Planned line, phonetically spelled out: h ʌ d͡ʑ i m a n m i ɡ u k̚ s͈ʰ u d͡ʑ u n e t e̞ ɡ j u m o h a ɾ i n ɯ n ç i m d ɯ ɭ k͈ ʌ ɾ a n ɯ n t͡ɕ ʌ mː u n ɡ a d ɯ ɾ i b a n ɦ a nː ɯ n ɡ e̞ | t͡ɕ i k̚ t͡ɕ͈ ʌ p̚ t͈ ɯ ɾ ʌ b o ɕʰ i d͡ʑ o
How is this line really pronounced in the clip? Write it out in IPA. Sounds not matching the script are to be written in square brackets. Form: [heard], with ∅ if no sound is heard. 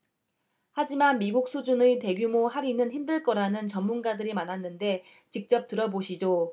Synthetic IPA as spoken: h [a] d͡ʑ i m a n m i ɡ u k̚ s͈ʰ u d͡ʑ u n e t e̞ ɡ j u m o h a ɾ i n ɯ n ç i m d ɯ ɭ k͈ ʌ ɾ a n ɯ n t͡ɕ ʌ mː u n ɡ a d ɯ ɾ i [m] a n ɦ a nː ɯ n [d] e̞ | t͡ɕ i k̚ t͡ɕ͈ ʌ p̚ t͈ ɯ ɾ ʌ b o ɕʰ i d͡ʑ o